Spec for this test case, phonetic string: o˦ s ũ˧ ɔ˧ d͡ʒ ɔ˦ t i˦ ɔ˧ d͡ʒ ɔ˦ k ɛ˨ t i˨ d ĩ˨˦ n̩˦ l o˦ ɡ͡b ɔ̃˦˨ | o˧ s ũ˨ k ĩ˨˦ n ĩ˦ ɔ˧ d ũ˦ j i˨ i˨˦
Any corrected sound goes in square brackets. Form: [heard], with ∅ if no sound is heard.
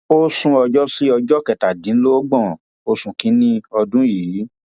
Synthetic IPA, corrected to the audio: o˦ s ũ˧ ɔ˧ d͡ʒ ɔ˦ [s] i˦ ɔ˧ d͡ʒ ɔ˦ k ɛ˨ t [a˨] d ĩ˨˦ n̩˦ l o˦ ɡ͡b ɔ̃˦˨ | o˧ s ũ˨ k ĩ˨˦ n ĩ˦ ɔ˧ d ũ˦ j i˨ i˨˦